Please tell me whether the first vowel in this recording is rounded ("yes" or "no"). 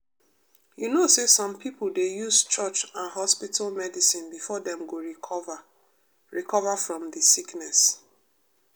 yes